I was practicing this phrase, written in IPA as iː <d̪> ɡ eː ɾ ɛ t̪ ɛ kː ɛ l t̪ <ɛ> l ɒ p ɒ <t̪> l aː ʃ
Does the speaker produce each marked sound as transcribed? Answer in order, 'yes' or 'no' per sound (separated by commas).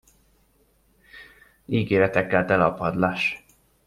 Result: no, yes, no